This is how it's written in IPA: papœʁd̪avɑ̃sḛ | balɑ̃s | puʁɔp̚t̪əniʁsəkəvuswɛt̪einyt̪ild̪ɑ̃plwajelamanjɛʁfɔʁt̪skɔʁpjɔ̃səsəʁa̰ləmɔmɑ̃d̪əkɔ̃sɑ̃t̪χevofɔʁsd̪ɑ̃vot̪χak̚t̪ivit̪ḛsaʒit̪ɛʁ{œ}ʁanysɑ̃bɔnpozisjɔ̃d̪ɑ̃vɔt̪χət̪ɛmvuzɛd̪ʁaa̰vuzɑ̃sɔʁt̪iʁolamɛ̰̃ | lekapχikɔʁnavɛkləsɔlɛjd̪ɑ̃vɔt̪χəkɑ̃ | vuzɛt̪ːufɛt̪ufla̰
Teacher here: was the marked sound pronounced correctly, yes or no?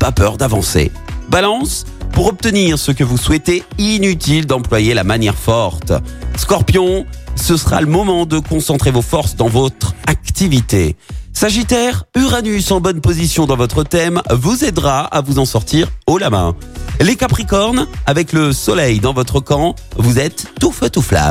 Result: no